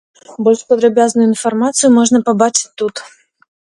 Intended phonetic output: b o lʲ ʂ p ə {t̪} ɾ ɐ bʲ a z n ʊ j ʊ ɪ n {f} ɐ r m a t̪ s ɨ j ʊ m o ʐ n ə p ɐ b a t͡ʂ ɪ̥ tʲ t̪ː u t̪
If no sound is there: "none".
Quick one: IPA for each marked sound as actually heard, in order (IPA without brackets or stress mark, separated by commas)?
d̪, f